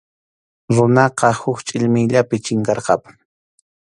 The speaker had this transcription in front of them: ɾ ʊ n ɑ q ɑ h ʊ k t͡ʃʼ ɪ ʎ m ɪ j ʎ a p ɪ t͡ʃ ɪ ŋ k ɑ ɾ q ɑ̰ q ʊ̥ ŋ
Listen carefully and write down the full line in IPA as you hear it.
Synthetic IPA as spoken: ɾ ʊ n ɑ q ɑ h ʊ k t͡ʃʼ ɪ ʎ m ɪ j ʎ a p ɪ t͡ʃ ɪ ŋ k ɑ ɾ q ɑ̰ p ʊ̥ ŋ